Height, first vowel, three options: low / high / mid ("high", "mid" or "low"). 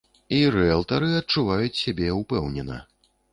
high